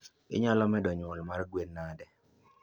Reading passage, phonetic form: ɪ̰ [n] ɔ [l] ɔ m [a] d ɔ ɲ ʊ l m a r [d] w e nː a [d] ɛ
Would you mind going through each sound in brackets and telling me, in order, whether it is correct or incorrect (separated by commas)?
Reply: incorrect, correct, incorrect, incorrect, correct